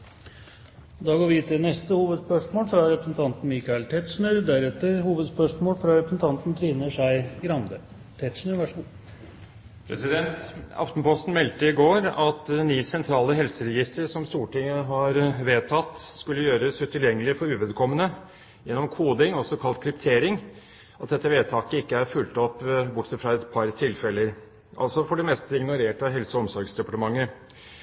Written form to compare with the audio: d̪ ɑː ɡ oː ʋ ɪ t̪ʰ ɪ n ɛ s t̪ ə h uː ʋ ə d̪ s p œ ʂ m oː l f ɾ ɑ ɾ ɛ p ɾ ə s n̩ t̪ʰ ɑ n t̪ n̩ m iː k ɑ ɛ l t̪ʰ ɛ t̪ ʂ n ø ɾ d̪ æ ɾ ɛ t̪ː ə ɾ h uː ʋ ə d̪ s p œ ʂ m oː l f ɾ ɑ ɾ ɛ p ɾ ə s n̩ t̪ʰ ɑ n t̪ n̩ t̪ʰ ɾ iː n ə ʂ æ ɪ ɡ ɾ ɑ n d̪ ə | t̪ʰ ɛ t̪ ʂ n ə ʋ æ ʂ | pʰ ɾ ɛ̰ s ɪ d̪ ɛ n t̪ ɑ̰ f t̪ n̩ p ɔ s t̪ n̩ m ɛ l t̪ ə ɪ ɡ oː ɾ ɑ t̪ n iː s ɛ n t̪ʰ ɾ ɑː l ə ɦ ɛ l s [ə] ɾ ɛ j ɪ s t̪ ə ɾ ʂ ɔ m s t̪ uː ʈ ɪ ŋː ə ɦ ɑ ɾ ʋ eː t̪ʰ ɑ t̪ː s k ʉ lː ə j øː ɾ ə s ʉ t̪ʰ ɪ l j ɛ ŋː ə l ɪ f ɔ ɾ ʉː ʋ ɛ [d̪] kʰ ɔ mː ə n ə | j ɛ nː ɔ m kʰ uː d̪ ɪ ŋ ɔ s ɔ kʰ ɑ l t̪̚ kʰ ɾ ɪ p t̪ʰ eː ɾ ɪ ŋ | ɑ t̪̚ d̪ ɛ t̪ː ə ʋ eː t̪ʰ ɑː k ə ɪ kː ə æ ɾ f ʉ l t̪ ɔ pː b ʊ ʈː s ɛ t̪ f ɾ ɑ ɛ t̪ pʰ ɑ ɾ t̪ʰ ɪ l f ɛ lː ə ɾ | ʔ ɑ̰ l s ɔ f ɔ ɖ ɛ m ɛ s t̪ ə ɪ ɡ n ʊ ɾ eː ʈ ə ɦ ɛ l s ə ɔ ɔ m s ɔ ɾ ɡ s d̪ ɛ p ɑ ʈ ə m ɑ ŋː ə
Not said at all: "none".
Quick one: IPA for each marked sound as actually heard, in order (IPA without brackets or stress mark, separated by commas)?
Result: ə, d̪